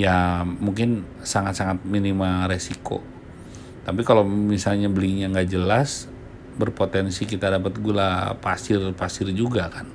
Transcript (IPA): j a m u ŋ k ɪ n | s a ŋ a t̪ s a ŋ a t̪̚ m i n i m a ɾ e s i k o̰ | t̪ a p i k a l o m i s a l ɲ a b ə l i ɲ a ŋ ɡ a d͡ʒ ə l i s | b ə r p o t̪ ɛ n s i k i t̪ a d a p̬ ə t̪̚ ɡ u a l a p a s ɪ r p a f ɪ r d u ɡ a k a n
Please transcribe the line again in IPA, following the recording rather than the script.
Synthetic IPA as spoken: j a m u ŋ k ɪ n | s a ŋ a t̪ s a ŋ a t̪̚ m i n i m a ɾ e s i k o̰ | t̪ a p i k a l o m i s a l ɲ a b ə l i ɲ a ŋ ɡ a d͡ʒ ə l a s | b ə r p o t̪ ɛ n s i k i t̪ a d a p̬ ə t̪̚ ɡ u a l a p a s ɪ r p a s ɪ r d͡ʒ u ɡ a k a n